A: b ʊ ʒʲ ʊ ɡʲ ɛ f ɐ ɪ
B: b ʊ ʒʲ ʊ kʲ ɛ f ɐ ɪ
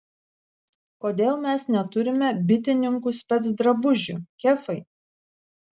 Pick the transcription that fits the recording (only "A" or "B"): B